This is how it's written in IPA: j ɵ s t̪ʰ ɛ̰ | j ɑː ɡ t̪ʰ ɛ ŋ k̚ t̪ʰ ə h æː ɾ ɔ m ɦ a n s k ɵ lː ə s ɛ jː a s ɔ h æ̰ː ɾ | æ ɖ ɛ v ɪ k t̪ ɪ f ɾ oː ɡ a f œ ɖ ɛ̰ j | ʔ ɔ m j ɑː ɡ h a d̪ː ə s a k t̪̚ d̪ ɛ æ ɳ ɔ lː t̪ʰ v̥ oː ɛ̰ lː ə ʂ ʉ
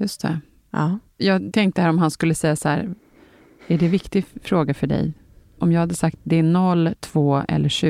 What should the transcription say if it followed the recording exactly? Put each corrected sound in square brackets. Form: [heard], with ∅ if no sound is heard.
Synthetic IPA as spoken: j ɵ s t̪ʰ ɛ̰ | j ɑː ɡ t̪ʰ ɛ ŋ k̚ [t̪] ə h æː ɾ ɔ m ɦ a n s k ɵ lː ə s ɛ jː a s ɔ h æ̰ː ɾ | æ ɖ ɛ v ɪ k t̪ ɪ f ɾ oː ɡ a f œ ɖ ɛ̰ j | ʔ ɔ m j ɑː ɡ h a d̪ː ə s a k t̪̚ d̪ ɛ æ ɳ ɔ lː t̪ʰ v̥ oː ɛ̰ lː ə ʂ ʉ